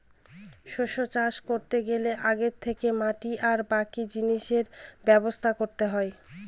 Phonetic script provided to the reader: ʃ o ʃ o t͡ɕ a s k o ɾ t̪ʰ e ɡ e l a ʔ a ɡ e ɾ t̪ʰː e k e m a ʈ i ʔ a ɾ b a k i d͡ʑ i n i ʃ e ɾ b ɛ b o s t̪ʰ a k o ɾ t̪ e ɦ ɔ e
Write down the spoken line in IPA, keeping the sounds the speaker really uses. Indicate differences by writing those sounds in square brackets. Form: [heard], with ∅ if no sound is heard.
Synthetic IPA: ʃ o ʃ o t͡ɕ a [ʃ] k o ɾ [t̪] e ɡ e l [e] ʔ a ɡ e ɾ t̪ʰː e k e m a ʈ i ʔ a ɾ b a k i d͡ʑ i n i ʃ e ɾ b ɛ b o s t̪ʰ a k o ɾ t̪ e ɦ ɔ e

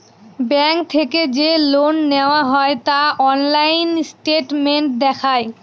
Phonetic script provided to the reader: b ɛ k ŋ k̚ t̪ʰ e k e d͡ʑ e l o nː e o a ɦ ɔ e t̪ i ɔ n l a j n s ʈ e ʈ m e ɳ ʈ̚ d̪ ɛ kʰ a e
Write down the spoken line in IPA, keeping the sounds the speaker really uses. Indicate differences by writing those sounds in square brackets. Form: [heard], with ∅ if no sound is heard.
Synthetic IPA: b ɛ [∅] ŋ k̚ t̪ʰ e k e d͡ʑ e l o nː e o a ɦ ɔ e t̪ [a] ɔ n l a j n s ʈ e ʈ m e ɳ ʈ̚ d̪ ɛ kʰ a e

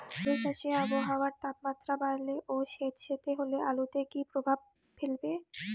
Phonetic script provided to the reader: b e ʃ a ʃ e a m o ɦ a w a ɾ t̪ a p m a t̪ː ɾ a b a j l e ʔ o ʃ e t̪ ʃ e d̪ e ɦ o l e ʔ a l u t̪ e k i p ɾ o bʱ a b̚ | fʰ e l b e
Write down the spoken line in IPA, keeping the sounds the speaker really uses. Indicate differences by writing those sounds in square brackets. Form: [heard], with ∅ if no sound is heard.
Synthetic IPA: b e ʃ a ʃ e a [b] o ɦ a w a ɾ t̪ a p m a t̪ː ɾ a b a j l e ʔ o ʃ e t̪ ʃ e [t̪] e ɦ o l e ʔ a l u t̪ e k i p ɾ o bʱ a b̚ | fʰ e l b e

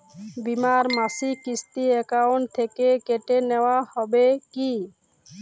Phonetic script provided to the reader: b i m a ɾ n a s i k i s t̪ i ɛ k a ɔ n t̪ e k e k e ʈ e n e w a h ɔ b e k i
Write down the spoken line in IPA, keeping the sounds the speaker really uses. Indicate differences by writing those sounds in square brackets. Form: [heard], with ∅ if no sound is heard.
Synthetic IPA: b i m a ɾ [m] a s i k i s t̪ i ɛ k a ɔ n [t̪ʰ] e k e k e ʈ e n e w a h ɔ b e k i

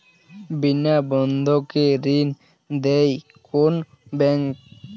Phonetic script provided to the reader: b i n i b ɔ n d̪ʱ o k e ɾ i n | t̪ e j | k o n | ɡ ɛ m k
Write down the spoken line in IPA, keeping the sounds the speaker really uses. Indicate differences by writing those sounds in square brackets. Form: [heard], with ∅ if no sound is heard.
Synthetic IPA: b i n [a] b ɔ n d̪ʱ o k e ɾ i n | [d̪] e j | k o n | [b] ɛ [ŋ] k

